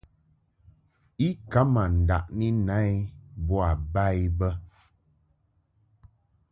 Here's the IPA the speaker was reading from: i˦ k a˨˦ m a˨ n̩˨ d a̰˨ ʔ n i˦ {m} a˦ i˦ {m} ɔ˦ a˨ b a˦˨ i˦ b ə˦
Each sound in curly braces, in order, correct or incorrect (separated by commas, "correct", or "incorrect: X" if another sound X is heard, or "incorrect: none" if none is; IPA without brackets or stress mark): incorrect: n, incorrect: b